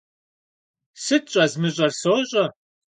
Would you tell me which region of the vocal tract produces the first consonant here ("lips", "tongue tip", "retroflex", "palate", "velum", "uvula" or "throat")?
tongue tip